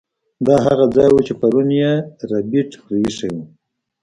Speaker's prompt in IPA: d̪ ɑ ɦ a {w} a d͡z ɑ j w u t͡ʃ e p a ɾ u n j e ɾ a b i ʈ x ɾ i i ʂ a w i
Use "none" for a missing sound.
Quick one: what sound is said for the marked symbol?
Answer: ɣ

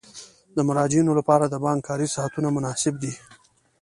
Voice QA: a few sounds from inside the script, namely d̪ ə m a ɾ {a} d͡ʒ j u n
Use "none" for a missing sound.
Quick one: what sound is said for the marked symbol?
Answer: ɑ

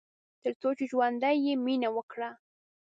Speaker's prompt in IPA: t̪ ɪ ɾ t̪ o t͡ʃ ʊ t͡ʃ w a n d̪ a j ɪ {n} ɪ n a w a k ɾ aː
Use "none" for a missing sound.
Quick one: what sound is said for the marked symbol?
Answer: m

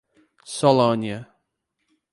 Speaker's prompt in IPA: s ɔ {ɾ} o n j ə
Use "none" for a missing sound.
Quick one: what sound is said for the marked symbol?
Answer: l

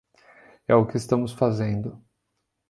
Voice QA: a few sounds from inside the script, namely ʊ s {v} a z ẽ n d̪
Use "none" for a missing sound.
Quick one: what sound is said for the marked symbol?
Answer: f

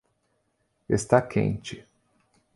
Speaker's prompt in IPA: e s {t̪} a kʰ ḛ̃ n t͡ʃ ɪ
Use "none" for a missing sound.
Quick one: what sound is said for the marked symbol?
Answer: t̪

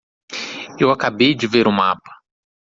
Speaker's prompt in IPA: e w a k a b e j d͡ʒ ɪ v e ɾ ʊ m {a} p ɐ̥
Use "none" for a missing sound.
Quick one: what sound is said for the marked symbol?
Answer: a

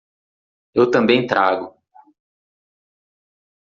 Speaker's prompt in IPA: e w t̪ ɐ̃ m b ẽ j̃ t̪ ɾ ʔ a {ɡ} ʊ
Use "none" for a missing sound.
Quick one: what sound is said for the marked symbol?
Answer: ɡ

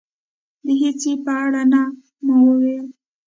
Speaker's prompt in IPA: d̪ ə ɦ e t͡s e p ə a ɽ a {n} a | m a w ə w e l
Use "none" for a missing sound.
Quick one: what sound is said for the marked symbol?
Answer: n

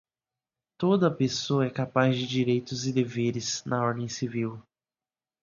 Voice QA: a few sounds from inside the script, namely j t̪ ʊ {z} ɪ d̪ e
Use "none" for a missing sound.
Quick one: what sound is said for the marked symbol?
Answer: z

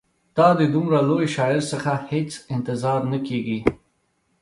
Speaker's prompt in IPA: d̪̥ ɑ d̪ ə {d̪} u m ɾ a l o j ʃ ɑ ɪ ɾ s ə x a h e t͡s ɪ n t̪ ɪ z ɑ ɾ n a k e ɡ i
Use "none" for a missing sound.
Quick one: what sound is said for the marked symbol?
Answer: d̪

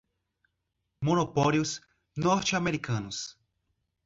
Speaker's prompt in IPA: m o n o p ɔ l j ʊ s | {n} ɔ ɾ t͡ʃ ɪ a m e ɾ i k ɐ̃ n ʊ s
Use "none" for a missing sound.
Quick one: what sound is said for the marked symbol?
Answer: n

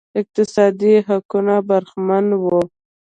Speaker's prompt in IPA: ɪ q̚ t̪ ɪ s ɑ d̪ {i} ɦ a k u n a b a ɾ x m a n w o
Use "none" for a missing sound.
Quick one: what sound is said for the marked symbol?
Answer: i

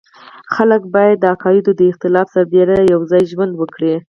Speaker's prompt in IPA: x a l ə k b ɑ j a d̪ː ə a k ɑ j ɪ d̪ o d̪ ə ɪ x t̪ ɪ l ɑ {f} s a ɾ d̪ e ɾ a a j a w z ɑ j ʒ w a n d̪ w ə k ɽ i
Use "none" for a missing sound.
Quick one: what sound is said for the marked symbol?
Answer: f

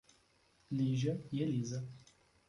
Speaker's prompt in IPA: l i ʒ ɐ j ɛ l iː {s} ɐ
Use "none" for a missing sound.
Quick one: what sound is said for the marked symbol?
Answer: z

